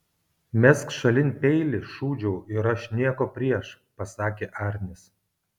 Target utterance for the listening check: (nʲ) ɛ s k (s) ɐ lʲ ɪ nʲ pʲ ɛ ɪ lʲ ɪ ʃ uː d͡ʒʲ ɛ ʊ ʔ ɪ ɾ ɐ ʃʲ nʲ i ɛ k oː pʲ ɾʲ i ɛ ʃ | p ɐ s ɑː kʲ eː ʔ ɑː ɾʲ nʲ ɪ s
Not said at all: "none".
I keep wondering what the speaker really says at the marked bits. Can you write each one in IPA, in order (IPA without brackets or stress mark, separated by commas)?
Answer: mʲ, ʃ